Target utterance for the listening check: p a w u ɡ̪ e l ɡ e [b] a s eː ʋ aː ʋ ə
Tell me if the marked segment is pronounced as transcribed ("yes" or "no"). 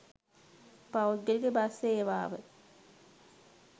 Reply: yes